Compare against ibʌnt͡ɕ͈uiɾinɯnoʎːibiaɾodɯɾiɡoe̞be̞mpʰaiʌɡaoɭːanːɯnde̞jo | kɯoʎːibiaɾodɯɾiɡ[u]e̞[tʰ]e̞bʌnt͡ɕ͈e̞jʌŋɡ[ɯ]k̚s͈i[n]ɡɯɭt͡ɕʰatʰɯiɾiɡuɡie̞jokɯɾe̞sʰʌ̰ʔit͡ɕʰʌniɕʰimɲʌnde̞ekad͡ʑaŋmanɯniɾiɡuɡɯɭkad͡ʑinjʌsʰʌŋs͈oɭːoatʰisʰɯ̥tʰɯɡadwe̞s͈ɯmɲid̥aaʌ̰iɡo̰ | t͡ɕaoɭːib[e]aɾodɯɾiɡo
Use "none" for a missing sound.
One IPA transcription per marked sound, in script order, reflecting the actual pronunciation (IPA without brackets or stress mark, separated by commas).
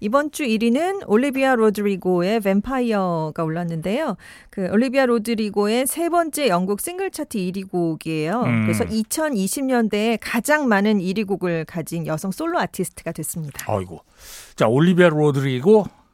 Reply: o, sʰ, u, ŋ, i